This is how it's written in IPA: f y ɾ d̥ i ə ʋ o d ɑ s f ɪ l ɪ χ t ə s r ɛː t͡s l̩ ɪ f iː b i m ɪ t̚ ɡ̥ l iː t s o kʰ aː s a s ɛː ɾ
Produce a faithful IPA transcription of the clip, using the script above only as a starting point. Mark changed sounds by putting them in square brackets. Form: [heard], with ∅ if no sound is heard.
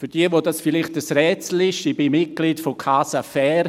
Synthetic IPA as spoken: f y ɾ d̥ i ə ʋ o d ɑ s f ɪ l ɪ χ t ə s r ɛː t͡s l̩ ɪ [ʃ] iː b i m ɪ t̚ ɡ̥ l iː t [f] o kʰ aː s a [f] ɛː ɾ